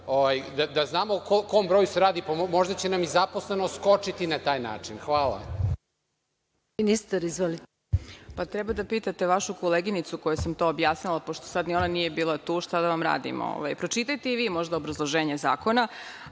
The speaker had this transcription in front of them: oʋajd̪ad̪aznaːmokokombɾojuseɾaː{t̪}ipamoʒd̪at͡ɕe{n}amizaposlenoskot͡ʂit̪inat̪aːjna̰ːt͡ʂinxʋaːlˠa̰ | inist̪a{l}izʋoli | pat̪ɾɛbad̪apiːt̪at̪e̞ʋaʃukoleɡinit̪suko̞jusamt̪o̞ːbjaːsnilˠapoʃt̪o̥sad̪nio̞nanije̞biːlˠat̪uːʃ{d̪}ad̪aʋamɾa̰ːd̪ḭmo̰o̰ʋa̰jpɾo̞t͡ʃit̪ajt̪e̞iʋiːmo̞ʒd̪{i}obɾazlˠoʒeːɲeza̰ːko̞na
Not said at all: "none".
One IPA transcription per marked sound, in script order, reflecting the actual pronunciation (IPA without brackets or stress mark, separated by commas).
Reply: d̪, n, ɾ, t̪, a